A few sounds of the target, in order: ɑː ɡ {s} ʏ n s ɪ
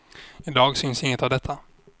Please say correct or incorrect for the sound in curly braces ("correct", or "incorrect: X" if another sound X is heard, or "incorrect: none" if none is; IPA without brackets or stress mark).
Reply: correct